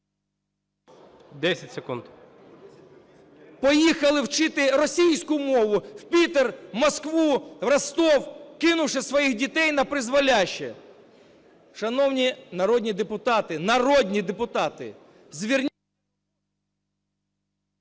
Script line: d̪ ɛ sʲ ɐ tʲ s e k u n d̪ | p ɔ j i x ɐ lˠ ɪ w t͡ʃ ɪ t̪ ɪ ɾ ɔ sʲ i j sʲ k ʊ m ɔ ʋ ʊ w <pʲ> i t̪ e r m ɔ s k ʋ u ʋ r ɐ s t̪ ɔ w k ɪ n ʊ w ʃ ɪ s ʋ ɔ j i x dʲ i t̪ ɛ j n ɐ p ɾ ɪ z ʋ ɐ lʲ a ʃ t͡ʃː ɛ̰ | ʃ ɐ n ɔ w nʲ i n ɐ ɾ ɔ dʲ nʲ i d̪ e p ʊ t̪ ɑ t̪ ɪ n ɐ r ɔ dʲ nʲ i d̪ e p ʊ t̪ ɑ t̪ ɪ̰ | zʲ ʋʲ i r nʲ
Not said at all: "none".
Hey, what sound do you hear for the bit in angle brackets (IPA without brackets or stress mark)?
pʲ